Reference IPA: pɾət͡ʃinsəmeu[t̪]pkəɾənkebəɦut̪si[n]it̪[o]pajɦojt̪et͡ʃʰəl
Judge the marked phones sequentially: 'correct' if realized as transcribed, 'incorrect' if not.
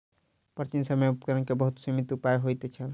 incorrect, incorrect, incorrect

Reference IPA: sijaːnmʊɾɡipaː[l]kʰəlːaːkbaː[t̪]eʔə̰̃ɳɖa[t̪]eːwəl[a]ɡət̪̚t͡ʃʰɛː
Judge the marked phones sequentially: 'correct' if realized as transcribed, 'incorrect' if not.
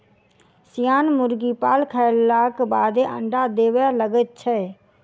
correct, incorrect, incorrect, incorrect

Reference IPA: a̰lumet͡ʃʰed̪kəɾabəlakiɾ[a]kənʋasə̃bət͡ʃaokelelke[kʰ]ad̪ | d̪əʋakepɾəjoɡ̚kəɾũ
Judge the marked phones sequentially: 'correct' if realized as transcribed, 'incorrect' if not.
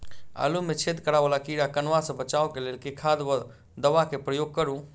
correct, correct

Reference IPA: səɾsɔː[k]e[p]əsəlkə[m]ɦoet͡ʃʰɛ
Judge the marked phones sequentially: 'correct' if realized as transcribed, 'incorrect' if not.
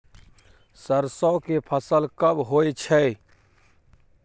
correct, incorrect, incorrect

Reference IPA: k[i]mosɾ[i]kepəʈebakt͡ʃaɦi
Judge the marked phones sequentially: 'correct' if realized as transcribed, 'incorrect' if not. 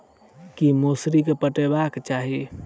correct, correct

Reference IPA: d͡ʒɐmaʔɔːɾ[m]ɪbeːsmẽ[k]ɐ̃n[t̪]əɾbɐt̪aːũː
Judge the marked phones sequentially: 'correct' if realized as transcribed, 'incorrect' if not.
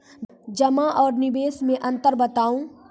incorrect, incorrect, correct

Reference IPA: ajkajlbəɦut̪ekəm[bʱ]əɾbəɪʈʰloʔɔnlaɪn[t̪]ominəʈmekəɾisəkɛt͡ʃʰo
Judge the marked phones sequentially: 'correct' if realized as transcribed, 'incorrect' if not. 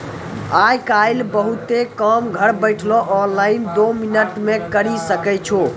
incorrect, incorrect

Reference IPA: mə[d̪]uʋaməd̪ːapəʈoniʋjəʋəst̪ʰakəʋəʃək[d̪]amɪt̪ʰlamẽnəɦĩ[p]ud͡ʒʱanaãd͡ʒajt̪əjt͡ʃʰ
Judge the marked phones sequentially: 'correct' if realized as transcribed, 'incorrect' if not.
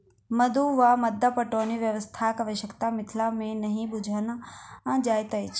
correct, incorrect, incorrect

